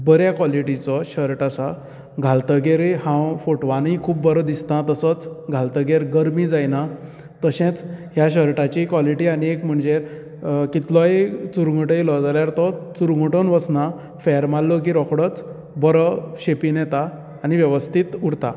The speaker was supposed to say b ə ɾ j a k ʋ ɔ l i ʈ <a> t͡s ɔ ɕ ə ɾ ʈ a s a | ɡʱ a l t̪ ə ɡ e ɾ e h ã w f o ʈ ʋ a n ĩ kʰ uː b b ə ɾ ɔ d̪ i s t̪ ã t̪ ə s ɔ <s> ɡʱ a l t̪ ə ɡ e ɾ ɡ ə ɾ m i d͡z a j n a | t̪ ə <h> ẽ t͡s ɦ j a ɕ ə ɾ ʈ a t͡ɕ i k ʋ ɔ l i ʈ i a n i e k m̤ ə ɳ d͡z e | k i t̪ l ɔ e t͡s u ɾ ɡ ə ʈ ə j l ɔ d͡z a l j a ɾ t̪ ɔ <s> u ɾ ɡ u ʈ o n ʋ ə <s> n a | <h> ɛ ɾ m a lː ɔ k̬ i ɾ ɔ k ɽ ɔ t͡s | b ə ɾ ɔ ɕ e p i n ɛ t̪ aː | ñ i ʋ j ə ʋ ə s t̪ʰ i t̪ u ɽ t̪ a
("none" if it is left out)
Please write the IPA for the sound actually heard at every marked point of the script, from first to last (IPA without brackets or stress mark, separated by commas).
i, t͡s, ɕ, t͡s, s, f